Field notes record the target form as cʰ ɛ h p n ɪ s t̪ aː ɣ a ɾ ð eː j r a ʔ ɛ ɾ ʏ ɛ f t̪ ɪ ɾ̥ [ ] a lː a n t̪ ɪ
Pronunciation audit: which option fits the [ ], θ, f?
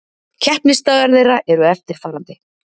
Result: f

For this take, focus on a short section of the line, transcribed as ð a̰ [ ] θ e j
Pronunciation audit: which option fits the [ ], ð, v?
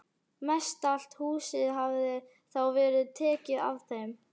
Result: v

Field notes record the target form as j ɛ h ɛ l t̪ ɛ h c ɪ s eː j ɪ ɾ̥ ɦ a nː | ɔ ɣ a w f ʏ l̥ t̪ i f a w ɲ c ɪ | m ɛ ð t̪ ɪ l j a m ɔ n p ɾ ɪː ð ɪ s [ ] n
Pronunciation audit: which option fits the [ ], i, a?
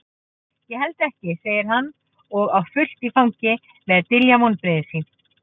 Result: i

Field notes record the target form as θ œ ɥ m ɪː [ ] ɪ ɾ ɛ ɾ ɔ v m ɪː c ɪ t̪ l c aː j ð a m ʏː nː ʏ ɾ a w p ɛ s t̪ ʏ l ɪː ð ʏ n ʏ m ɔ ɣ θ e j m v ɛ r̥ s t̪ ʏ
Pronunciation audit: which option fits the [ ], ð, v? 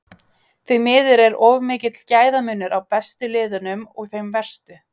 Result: ð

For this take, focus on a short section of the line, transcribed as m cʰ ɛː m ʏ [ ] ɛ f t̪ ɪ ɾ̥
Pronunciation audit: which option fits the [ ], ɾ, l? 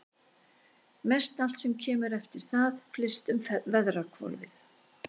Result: ɾ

